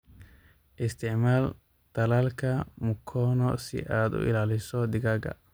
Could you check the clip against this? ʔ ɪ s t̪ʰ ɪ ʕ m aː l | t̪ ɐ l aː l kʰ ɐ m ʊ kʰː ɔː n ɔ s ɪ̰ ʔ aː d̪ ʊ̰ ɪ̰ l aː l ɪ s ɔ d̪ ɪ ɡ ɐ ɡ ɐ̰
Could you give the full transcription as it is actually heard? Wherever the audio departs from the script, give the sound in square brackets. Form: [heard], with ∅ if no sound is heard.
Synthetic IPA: ʔ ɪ s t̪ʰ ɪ ʕ m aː l | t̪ ɐ l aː l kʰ ɐ m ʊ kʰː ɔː n ɔ s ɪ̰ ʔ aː d̪ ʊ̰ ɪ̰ l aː l ɪ s ɔ d̪ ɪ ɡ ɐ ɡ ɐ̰